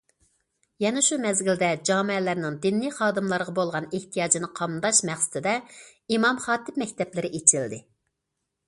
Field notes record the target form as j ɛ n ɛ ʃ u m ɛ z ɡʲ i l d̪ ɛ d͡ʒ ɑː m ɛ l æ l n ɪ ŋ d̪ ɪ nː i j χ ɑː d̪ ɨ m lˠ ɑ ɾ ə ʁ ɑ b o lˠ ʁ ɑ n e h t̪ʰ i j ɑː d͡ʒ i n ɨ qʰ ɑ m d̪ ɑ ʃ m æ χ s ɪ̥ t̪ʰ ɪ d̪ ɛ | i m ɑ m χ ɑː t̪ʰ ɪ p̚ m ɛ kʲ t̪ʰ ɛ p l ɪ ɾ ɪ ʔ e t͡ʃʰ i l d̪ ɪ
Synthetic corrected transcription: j ɛ n ɛ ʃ u m ɛ z ɡʲ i l d̪ ɛ d͡ʒ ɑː m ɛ l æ ɾ n ɪ ŋ d̪ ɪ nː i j χ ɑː d̪ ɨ m lˠ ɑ ɾ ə ʁ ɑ b o lˠ ʁ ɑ n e h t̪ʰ i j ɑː d͡ʒ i n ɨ qʰ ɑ m d̪ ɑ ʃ m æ χ s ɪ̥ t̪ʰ ɪ d̪ ɛ | i m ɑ m χ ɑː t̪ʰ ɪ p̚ m ɛ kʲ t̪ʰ ɛ p l ɪ ɾ ɪ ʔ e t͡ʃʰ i l d̪ ɪ